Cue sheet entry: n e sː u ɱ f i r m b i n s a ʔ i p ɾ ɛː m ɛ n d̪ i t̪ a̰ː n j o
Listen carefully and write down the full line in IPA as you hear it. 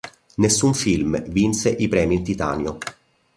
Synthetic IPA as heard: n e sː u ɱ f i l m v i n s e ʔ i p ɾ ɛː m i n t̪ i t̪ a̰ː n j o